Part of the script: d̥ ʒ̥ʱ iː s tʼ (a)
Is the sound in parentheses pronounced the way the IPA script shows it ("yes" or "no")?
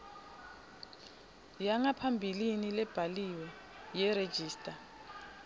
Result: yes